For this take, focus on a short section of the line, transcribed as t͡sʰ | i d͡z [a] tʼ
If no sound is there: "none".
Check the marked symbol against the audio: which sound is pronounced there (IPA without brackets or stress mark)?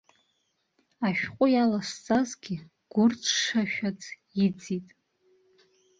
i